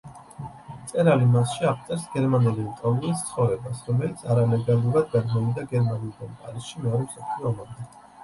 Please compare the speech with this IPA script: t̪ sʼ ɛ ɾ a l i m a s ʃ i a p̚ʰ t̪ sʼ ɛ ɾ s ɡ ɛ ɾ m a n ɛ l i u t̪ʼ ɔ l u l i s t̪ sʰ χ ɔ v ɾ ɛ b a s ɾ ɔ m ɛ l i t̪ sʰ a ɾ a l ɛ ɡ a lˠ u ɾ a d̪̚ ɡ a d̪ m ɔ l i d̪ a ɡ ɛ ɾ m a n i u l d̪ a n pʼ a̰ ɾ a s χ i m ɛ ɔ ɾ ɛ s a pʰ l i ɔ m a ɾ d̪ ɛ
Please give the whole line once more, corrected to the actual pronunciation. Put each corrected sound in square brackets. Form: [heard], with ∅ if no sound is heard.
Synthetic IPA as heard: t̪ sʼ ɛ ɾ a l i m a s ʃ i a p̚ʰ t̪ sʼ ɛ ɾ s ɡ ɛ ɾ m a n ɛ l i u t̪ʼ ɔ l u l i s t̪ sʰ χ ɔ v ɾ ɛ b a s ɾ ɔ m ɛ l i t̪ sʰ a ɾ a l ɛ ɡ a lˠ u ɾ a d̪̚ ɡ a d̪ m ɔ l i d̪ a ɡ ɛ ɾ m a n i u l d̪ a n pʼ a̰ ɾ [i] s [ʃ] i m ɛ ɔ ɾ ɛ s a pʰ l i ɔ m a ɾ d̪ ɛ